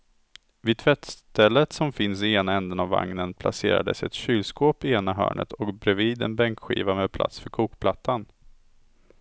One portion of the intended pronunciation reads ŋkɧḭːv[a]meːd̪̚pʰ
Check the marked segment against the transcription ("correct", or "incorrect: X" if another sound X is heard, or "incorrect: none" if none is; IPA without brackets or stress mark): correct